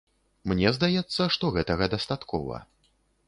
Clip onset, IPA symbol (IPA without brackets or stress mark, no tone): m